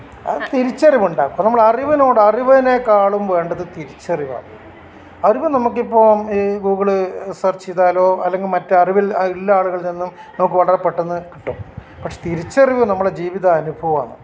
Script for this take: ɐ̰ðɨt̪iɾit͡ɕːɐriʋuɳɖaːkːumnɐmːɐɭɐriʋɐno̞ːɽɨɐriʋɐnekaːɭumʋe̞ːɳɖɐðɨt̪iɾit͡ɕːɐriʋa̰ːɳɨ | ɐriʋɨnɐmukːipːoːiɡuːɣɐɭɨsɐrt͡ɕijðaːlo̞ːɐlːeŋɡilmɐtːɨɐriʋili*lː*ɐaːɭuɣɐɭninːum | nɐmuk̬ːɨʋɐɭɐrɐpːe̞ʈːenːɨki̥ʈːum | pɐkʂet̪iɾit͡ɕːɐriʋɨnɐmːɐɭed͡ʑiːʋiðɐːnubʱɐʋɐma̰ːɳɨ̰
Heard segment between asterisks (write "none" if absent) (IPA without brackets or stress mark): lː